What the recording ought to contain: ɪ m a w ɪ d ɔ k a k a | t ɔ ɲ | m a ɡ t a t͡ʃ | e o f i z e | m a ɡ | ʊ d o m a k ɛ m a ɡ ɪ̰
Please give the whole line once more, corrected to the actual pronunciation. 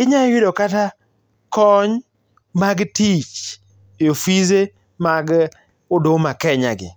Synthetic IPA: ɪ ɲ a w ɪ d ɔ k a t a | k ɔ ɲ | m a ɡ t i t͡ʃ | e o f i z e | m a ɡ | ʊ d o m a k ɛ ɲ a ɡ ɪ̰